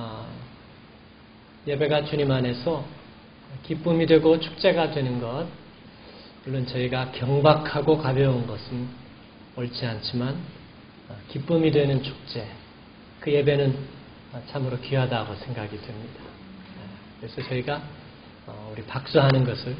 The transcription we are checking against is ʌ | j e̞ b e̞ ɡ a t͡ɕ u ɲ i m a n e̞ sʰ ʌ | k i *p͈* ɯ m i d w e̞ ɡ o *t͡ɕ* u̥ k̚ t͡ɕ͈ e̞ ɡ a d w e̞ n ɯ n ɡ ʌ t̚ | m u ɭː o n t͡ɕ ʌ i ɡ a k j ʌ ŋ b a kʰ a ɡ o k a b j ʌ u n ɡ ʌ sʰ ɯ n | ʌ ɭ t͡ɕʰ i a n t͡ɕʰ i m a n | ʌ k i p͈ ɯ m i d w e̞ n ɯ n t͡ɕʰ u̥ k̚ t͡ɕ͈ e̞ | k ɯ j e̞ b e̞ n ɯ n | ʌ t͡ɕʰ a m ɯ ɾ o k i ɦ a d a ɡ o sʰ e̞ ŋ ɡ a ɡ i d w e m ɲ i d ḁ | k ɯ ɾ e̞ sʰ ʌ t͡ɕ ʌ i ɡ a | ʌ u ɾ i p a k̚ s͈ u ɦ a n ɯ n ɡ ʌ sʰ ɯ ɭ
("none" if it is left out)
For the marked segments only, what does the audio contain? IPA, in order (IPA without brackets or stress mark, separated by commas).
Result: p͈, t͡ɕʰ